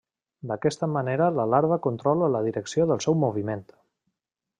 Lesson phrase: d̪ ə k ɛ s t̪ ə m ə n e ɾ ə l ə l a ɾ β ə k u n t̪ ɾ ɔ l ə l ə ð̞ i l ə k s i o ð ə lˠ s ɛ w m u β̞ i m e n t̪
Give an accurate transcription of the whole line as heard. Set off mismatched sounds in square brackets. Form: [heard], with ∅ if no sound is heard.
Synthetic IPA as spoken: d̪ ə k ɛ s t̪ ə m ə n e ɾ ə l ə l a ɾ β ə k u n t̪ ɾ ɔ l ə l ə ð̞ i [ɾ] ə k s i o ð ə lˠ s ɛ w m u β̞ i m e n t̪